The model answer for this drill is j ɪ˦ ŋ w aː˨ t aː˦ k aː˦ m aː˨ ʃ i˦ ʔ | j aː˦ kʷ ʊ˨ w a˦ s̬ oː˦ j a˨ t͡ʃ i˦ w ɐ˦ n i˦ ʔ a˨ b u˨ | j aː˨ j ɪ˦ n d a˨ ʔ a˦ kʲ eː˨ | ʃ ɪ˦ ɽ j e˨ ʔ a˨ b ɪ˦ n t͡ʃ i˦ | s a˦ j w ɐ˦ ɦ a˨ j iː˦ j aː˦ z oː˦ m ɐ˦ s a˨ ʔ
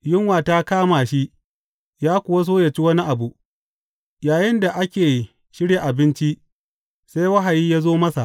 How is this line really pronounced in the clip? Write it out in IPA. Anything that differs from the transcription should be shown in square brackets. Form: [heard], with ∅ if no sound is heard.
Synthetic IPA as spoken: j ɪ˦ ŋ w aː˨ t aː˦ k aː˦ m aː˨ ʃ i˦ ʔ | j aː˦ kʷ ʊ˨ w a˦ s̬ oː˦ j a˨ t͡ʃ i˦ w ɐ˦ n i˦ ʔ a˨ b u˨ | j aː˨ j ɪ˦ n d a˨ ʔ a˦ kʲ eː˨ | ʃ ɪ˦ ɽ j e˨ ʔ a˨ b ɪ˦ n t͡ʃ i˦ | s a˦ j w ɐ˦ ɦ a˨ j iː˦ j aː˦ z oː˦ m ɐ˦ s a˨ ʔ